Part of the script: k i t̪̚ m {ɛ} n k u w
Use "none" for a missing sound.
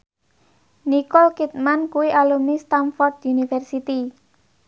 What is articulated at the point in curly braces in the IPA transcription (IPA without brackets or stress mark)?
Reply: a